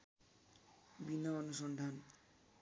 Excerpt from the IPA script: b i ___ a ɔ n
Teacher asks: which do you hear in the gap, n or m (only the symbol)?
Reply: n